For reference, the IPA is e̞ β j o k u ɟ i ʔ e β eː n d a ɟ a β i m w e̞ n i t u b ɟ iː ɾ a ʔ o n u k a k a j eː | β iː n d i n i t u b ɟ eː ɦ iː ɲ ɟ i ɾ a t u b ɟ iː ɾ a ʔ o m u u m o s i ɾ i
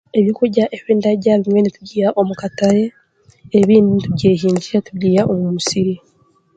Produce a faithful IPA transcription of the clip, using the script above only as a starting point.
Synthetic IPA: e̞ β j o k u ɟ a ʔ e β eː n d a ɟ a β i m w e̞ n i t u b ɟ iː ɾ a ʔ o m u k a t a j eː | β iː n d i n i t u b ɟ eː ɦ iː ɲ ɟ i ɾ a t u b ɟ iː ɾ a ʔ o m u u m u s i ɾ i